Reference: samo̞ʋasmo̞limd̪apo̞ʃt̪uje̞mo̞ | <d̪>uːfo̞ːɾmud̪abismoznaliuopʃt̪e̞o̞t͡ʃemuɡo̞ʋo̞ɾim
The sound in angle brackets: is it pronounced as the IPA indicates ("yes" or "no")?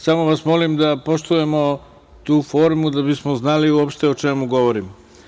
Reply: no